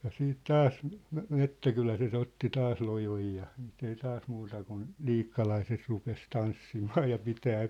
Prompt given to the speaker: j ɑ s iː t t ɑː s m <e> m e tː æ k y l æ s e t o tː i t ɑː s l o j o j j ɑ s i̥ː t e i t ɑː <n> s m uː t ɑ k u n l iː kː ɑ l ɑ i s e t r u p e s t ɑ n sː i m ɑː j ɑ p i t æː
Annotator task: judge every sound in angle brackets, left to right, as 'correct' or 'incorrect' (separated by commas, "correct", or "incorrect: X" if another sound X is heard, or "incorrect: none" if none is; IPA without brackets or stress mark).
correct, incorrect: none